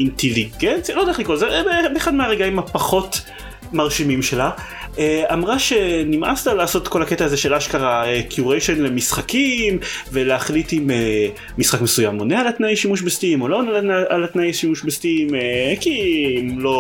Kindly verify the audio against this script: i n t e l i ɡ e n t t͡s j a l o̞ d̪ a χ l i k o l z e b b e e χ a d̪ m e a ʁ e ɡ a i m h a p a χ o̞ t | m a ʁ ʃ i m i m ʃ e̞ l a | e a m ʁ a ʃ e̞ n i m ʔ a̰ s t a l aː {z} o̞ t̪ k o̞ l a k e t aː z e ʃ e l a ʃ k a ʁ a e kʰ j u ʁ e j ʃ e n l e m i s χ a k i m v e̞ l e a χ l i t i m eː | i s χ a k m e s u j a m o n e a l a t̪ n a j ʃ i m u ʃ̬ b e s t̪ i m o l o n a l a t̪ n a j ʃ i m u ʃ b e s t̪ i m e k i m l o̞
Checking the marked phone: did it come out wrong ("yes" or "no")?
yes